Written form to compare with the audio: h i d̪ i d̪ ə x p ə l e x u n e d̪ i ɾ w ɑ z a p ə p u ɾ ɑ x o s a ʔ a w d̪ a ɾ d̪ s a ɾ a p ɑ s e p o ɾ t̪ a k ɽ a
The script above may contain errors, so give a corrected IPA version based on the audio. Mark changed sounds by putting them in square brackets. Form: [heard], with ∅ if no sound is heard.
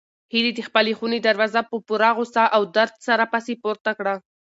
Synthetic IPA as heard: h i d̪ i d̪ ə x p ə l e x u n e d̪ [a] ɾ w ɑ z a p ə p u ɾ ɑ [ɣ] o s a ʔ a w d̪ a ɾ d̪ s a ɾ a p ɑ s e p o ɾ t̪ a k ɽ a